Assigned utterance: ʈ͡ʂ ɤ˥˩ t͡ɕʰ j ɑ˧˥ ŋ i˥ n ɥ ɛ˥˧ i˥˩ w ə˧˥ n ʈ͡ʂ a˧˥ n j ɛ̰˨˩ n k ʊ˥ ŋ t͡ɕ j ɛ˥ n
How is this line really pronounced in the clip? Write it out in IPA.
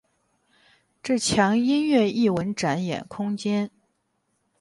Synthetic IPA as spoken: ʈ͡ʂ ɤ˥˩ t͡ɕʰ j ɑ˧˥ ŋ i˥ n ɥ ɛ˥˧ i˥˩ w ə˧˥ n ʈ͡ʂ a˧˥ n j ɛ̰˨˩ n kʰ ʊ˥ ŋ t͡ɕ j ɛ˥ n